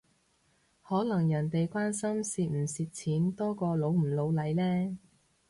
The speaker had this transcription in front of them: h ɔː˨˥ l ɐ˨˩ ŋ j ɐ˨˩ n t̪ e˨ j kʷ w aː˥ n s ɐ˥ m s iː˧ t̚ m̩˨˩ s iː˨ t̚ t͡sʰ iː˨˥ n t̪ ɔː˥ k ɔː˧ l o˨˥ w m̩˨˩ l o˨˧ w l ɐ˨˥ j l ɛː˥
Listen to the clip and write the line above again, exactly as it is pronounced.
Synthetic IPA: h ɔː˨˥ l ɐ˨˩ ŋ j ɐ˨˩ n t̪ e˨ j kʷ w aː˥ n s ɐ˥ m s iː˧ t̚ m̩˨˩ s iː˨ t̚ t͡sʰ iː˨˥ n t̪ ɔː˥ k ɔː˧ l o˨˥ w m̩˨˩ l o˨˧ w l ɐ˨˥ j l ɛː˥